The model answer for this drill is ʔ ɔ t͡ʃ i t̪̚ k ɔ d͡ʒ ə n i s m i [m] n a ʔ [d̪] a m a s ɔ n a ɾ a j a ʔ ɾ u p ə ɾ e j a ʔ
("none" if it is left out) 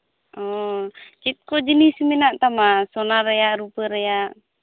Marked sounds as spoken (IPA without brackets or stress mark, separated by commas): none, t̪